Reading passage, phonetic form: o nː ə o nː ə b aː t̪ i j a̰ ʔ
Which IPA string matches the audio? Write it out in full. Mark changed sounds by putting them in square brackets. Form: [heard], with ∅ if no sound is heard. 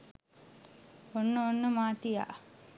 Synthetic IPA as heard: o nː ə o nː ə [m] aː t̪ i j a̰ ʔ